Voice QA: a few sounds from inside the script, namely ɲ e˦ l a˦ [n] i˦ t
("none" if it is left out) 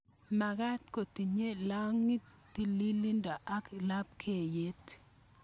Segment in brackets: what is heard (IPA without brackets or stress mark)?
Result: ŋ